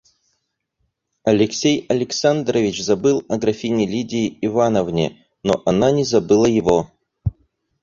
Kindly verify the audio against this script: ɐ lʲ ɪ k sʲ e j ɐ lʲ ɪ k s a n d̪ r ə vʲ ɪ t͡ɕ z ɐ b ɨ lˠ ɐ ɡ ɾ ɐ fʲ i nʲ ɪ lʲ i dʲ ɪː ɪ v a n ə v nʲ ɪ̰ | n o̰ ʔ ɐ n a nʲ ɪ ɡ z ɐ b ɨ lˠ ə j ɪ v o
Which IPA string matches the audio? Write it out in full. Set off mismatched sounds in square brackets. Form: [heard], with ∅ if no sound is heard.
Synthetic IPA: ɐ lʲ ɪ k sʲ e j ɐ lʲ ɪ k s a n d̪ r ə vʲ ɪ t͡ɕ z ɐ b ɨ lˠ ɐ ɡ ɾ ɐ fʲ i nʲ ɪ lʲ i dʲ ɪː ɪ v a n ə v nʲ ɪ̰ | n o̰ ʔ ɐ n a nʲ ɪ [∅] z ɐ b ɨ lˠ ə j ɪ v o